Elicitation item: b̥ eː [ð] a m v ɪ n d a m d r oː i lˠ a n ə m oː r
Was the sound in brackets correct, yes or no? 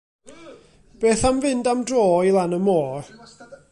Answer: no